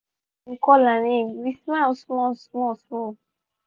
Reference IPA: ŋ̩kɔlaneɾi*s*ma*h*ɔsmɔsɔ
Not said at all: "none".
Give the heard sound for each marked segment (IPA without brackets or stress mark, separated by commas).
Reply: s, s